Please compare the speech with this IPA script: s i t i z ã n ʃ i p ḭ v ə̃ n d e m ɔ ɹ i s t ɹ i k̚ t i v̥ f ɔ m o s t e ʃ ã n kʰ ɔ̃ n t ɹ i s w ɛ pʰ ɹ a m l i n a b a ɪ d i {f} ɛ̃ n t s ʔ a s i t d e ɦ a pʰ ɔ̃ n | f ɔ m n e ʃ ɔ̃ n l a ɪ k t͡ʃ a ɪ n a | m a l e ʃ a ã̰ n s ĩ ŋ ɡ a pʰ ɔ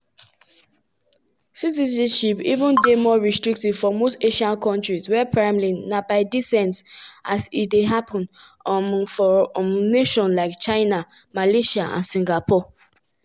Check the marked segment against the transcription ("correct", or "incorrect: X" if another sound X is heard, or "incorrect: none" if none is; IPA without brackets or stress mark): incorrect: s